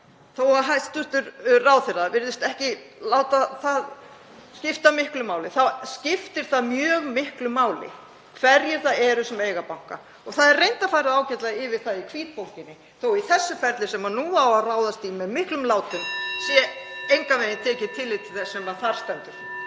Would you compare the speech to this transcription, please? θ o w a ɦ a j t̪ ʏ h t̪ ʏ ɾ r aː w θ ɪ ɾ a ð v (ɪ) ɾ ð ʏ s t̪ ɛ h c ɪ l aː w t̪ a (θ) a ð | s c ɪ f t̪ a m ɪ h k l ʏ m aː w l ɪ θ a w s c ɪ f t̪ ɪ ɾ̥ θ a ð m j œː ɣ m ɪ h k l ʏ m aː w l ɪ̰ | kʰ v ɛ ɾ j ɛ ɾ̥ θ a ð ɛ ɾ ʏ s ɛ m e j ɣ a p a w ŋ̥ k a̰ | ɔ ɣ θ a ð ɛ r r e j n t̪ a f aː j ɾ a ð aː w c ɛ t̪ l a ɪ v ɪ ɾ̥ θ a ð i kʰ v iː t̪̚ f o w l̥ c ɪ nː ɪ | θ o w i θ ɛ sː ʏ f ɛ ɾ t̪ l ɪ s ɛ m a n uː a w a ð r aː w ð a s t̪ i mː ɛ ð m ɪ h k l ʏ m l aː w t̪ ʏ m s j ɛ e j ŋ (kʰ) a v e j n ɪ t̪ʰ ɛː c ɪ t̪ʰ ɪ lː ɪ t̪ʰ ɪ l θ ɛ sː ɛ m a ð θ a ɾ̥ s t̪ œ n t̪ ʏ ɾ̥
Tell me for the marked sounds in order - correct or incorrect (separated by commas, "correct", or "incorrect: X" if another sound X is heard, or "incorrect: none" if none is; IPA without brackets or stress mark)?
correct, correct, incorrect: k